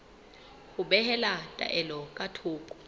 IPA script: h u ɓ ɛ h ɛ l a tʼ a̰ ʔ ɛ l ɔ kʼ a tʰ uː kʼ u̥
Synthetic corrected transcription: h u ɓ ɛ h ɛ l a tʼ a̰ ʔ ɛ l ɔ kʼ a tʰ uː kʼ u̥